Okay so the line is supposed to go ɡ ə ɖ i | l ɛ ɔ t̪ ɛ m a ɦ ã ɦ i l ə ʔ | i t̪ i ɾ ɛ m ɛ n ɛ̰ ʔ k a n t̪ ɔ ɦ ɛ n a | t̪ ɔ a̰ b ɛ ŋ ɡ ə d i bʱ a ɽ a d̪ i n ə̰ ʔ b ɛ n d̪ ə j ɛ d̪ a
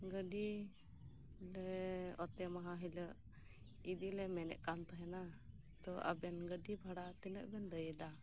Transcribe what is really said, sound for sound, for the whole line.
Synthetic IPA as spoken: ɡ ə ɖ i | l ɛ ɔ t̪ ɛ m a ɦ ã ɦ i l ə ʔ | i d̪ i l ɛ m ɛ n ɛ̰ ʔ k a n t̪ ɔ ɦ ɛ n a | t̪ ɔ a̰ b ɛ n ɡ ə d i bʱ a ɽ a t̪ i n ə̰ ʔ b ɛ n d̪ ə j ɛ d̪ a